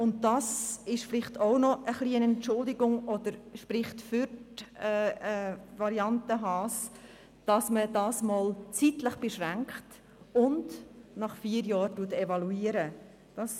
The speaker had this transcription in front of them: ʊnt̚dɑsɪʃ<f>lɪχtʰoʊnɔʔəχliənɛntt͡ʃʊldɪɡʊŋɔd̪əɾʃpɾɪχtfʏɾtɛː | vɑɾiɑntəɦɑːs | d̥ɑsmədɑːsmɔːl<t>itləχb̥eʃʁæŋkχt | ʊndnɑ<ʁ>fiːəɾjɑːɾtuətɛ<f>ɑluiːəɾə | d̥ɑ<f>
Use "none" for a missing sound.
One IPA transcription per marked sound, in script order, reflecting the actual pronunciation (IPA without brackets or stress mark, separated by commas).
f, t͡s, χ, v, s